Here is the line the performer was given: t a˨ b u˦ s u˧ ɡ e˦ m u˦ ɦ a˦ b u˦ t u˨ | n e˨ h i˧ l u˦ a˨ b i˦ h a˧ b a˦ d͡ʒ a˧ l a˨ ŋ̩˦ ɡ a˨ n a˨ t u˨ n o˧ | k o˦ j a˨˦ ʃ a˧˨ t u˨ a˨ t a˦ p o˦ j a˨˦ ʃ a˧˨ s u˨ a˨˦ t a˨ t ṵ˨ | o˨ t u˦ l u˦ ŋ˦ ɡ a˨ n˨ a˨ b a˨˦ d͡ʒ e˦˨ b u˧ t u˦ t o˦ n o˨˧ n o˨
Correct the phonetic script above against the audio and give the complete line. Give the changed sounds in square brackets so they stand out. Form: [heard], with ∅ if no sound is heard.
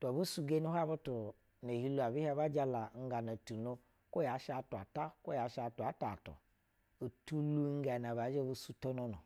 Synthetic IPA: t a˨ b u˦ s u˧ ɡ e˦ [n] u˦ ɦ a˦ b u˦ t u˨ | n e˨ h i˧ l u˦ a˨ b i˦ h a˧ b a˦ d͡ʒ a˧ l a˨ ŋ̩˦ ɡ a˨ n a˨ t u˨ n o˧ | k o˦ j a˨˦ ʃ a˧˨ t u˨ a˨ t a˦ [k] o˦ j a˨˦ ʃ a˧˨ [t] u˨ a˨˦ t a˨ t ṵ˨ | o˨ t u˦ l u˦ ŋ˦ ɡ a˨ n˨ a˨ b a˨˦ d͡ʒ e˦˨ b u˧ [s] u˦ t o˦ n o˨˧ n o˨

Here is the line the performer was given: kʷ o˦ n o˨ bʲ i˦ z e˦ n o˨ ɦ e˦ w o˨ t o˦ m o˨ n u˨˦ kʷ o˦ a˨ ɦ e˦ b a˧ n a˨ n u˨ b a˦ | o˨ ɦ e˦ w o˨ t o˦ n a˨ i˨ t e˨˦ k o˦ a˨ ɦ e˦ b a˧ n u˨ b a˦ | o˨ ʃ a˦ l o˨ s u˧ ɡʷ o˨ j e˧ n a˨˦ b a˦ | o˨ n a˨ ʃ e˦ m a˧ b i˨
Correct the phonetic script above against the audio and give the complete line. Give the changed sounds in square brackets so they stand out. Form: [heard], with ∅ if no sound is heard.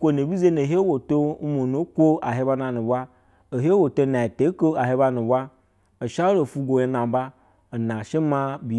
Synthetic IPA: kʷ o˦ n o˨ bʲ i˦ z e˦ n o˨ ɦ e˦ w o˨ t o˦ m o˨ n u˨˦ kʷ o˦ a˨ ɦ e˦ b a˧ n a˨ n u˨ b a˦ | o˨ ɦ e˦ w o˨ t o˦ n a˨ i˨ t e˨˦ k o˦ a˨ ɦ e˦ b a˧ n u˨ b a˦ | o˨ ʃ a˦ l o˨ [f] u˧ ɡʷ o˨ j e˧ n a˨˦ b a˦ | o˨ n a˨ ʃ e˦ m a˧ b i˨

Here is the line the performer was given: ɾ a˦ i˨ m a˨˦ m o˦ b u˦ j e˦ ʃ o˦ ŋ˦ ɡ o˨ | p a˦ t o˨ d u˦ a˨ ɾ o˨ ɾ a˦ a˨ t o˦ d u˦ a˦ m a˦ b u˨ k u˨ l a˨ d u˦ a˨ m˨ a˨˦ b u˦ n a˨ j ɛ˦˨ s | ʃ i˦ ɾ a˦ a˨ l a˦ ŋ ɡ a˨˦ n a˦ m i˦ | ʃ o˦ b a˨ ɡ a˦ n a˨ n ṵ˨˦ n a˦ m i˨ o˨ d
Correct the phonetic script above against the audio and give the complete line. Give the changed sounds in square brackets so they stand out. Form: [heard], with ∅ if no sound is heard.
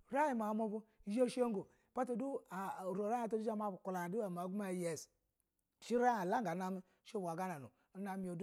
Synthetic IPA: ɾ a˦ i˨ m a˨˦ m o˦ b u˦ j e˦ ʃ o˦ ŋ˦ ɡ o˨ | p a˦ t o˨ d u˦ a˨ ɾ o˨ ɾ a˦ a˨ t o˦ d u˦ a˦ m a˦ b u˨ k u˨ l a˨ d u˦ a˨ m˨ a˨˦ [ɡ] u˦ [m] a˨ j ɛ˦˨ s | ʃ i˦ ɾ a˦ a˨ l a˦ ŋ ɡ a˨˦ n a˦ m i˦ | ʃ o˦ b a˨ ɡ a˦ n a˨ n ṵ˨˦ n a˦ m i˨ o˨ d

